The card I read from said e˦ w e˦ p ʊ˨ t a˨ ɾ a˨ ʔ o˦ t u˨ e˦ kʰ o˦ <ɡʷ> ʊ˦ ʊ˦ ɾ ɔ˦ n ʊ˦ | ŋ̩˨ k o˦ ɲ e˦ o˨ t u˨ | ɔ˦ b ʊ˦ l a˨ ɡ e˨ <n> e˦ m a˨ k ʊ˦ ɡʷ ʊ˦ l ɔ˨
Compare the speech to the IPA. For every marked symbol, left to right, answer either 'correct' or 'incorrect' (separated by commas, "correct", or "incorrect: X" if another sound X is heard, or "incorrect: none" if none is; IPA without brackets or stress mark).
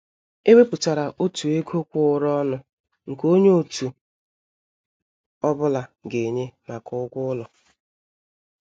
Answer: incorrect: kʷ, incorrect: ɲ